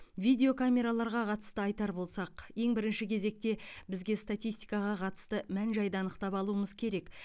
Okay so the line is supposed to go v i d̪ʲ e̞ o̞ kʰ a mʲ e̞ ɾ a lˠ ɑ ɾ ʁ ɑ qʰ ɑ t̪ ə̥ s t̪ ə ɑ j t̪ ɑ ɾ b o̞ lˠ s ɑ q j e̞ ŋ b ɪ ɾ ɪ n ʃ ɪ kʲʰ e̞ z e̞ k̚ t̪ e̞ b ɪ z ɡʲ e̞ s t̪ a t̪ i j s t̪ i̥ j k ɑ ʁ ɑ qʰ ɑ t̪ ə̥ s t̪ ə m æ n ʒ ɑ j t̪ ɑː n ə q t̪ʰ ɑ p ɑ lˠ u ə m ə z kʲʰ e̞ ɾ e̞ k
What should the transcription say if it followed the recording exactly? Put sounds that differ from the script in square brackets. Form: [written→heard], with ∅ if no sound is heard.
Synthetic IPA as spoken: v i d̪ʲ e̞ o̞ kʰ a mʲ e̞ ɾ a lˠ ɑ ɾ ʁ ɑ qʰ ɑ t̪ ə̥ s t̪ ə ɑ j t̪ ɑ ɾ b o̞ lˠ s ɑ q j e̞ ŋ b ɪ ɾ ɪ n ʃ ɪ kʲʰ e̞ z e̞ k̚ t̪ e̞ b ɪ z ɡʲ e̞ s t̪ a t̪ i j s t̪ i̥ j k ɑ ʁ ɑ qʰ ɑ t̪ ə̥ s t̪ ə m æ n ʒ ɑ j [t̪→d̪] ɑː n ə q [t̪ʰ→t̪] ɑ p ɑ lˠ u ə m ə z kʲʰ e̞ ɾ e̞ k